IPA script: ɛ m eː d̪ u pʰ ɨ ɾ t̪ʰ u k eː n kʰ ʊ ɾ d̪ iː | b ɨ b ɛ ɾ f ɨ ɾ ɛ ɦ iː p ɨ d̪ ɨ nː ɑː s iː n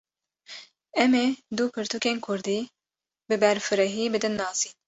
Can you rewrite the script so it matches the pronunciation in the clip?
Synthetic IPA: ɛ m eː d̪ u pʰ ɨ ɾ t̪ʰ u k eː n kʰ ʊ ɾ d̪ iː | b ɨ b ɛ ɾ f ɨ ɾ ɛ ɦ iː b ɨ d̪ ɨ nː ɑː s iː n